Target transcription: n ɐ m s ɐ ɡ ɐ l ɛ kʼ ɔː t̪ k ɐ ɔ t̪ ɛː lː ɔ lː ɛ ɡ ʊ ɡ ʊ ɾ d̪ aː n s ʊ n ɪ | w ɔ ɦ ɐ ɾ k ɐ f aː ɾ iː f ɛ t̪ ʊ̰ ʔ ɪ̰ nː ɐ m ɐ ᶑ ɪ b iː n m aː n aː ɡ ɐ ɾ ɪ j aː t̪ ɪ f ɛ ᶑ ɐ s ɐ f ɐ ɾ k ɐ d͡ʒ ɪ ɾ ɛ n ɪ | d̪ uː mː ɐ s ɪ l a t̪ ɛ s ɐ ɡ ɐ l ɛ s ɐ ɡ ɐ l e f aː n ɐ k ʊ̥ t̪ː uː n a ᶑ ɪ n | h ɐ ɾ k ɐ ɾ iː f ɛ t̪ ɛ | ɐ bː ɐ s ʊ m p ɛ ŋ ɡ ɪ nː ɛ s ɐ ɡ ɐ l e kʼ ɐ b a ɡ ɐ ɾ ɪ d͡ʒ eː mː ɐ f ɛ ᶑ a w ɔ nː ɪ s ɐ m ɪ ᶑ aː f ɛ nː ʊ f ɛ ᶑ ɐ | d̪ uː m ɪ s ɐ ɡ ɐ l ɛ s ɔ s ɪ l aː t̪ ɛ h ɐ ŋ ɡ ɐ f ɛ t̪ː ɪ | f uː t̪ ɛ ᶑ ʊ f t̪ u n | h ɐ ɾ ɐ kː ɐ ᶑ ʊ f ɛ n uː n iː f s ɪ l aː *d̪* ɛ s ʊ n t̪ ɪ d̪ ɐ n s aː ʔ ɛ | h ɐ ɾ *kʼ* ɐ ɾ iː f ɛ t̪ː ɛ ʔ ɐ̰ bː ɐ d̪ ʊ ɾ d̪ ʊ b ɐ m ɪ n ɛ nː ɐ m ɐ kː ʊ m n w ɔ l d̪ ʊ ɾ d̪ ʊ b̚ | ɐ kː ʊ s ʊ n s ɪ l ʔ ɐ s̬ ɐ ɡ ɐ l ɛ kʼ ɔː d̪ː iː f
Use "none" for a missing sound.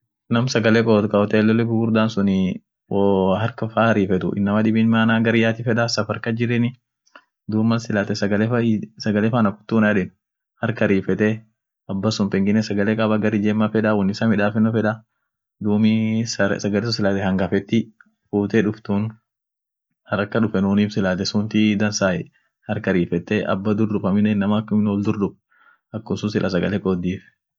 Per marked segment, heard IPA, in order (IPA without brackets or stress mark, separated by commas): t̪, k